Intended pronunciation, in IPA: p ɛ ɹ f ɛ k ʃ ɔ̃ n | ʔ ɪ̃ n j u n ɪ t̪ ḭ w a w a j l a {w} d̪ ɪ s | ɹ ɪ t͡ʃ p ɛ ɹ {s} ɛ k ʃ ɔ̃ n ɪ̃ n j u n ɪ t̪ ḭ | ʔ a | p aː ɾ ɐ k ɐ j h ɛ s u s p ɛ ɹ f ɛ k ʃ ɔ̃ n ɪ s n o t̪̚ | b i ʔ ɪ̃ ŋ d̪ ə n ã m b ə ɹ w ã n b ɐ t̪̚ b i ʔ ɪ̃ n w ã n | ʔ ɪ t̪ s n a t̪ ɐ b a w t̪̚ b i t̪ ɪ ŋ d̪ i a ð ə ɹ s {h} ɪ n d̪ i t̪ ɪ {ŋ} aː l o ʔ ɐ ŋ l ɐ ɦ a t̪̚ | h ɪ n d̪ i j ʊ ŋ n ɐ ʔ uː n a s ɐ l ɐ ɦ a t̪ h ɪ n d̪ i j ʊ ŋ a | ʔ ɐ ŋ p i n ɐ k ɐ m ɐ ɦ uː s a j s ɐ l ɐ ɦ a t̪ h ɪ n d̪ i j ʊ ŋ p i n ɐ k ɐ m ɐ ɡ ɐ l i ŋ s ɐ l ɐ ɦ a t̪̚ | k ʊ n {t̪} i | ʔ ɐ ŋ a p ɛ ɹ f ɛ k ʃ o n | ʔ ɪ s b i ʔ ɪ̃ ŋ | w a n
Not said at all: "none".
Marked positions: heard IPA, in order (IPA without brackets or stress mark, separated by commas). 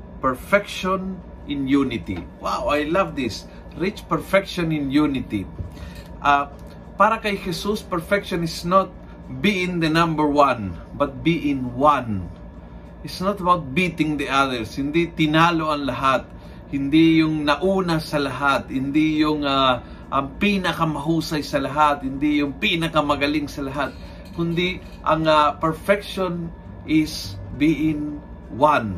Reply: v, f, h, n, d̪